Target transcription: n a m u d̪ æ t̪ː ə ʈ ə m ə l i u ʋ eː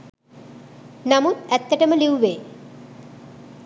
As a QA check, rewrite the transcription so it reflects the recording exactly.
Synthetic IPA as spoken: n a m u t̪ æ t̪ː ə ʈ ə m ə l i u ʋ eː